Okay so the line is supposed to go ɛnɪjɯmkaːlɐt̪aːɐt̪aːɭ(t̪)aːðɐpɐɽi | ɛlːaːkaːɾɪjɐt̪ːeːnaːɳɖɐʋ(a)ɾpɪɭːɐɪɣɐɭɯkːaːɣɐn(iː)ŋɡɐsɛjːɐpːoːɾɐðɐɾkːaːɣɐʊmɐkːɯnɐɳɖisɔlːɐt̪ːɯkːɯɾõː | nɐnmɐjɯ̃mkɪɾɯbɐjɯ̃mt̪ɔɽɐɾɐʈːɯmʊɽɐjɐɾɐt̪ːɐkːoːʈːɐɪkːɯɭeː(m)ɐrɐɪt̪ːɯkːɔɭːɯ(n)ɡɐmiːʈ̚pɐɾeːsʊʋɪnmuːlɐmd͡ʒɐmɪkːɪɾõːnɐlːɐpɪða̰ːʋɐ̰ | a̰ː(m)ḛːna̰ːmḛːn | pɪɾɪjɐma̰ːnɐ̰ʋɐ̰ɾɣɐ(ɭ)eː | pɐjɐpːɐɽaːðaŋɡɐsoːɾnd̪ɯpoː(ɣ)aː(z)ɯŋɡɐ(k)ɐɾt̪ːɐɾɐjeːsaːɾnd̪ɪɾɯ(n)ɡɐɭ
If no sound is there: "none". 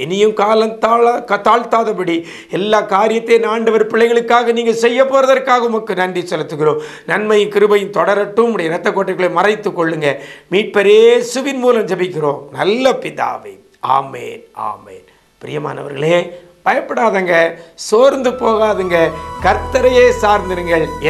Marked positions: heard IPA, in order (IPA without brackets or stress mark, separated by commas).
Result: t̪, ɐ, iː, m, ŋ, m, ɭ, ɣ, ð, k, ŋ